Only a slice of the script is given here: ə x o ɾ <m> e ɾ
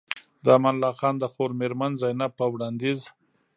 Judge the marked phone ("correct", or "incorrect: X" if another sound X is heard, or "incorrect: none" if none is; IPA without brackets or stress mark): correct